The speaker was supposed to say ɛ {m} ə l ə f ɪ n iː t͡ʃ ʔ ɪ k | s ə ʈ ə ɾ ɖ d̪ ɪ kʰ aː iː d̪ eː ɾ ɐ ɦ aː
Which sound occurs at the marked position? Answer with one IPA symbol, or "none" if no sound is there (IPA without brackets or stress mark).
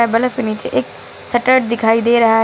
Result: b